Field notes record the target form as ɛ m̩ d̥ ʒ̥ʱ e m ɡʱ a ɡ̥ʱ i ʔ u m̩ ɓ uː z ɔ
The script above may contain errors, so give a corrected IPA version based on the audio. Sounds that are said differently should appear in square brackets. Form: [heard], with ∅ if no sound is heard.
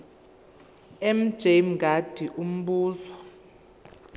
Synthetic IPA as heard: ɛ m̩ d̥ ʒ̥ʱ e m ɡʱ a [d̥ʱ] i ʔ u m̩ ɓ uː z ɔ